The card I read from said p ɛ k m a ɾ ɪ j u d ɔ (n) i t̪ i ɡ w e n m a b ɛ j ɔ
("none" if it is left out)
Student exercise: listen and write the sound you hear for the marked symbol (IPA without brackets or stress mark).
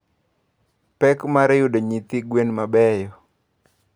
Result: ɲ